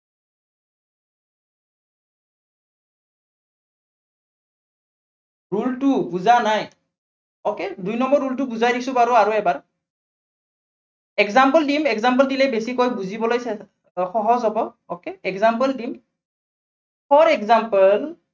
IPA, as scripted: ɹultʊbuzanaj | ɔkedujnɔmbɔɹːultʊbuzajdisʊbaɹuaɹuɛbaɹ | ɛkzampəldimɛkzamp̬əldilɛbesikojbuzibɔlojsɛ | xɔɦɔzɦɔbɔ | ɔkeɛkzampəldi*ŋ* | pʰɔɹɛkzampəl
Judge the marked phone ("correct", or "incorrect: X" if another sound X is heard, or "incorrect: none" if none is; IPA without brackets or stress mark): incorrect: m